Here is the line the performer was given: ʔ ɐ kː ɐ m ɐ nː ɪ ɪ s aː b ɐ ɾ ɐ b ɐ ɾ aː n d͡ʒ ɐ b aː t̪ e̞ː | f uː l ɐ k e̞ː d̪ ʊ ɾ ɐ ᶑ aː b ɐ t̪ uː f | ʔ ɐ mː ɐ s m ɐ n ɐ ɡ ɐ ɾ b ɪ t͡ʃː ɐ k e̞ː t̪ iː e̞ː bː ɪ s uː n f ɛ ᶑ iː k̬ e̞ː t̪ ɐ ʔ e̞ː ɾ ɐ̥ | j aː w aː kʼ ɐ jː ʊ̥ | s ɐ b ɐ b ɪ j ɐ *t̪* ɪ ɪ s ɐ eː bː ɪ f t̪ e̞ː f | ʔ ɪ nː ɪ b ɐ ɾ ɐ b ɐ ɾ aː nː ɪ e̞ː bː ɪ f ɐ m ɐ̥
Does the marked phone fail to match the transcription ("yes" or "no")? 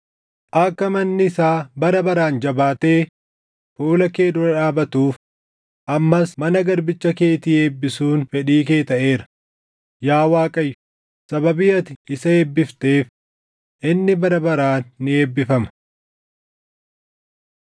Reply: no